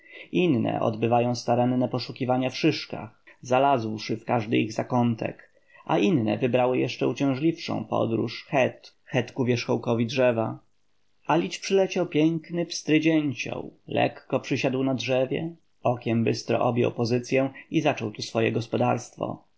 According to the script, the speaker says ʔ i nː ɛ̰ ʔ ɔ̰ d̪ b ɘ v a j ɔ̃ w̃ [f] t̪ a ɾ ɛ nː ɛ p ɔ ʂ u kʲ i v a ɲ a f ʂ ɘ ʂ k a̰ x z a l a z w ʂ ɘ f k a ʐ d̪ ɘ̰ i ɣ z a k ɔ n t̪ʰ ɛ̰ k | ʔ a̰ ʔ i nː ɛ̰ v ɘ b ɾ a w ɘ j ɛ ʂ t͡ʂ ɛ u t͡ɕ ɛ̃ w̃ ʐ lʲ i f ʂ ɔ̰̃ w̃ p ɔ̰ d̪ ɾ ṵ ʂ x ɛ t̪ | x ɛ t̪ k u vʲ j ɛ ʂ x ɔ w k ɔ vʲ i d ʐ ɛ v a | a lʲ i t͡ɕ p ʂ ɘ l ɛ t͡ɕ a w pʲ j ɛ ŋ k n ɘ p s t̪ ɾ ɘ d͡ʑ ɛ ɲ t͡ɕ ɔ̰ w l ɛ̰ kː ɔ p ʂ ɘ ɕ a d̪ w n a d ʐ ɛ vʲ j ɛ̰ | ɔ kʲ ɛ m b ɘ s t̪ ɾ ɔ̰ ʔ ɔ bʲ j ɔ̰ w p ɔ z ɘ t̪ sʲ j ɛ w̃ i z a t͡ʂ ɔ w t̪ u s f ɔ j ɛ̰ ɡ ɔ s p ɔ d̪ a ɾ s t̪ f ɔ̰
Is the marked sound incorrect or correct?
incorrect